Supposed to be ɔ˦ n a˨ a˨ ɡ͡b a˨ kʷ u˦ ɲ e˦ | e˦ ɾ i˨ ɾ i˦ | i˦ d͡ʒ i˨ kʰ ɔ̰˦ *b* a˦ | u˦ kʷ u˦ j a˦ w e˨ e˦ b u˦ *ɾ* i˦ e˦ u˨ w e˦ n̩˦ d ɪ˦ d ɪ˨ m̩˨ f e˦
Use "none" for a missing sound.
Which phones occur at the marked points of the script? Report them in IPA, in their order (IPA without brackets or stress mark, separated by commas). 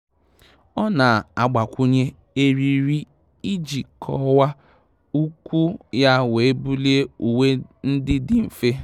w, l